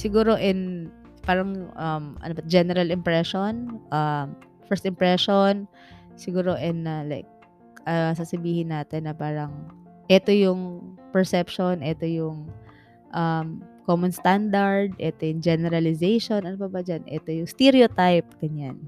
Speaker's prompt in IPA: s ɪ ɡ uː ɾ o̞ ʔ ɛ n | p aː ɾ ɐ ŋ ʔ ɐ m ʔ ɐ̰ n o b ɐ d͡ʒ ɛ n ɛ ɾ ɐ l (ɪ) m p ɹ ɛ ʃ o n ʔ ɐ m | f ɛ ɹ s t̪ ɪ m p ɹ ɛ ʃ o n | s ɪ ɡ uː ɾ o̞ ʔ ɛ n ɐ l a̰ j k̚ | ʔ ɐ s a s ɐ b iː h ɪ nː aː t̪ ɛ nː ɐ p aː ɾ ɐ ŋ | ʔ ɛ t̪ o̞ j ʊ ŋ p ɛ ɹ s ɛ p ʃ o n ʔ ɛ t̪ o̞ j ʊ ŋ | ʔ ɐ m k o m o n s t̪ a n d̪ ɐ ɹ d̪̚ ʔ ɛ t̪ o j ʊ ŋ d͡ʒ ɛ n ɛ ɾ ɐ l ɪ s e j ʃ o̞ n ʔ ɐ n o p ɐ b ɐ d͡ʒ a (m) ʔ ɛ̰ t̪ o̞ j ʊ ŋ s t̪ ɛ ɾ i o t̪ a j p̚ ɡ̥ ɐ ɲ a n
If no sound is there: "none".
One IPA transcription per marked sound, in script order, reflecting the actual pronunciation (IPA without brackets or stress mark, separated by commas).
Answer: ɪ, n